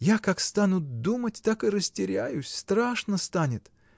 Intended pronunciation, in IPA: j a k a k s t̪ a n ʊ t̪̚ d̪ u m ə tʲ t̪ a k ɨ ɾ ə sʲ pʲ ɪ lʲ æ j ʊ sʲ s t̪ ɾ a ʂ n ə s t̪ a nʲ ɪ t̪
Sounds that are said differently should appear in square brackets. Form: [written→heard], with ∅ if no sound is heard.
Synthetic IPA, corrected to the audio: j a k a k s t̪ a n ʊ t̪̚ d̪ u m ə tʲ t̪ a k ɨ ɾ ə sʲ [pʲ→tʲ] ɪ [lʲ→ɾʲ] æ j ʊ sʲ s t̪ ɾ a ʂ n ə s t̪ a nʲ ɪ t̪